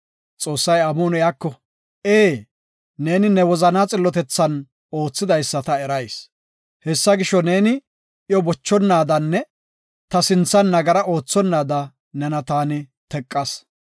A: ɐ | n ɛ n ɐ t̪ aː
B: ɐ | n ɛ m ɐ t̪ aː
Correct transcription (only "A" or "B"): A